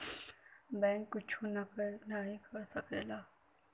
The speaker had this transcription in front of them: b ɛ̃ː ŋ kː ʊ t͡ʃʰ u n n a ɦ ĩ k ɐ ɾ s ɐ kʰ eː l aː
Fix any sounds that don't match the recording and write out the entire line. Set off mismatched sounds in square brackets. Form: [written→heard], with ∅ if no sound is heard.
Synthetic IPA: b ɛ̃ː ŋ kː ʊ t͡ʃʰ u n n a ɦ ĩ k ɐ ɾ s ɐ [kʰ→k] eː l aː